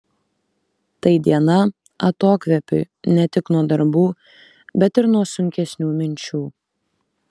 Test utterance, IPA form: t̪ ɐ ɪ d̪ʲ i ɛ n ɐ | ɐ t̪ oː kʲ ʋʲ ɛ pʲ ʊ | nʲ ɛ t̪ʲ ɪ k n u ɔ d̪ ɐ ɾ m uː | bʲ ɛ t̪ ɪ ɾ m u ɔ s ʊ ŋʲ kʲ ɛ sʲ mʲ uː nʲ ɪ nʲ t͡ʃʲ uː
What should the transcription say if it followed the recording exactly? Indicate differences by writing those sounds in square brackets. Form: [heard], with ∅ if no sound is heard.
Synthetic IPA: t̪ ɐ ɪ d̪ʲ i ɛ n ɐ | ɐ t̪ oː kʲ ʋʲ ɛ pʲ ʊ | nʲ ɛ t̪ʲ ɪ k n u ɔ d̪ ɐ ɾ [b] uː | bʲ ɛ t̪ ɪ ɾ [n] u ɔ s ʊ ŋʲ kʲ ɛ sʲ [nʲ] uː [mʲ] ɪ nʲ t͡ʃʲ uː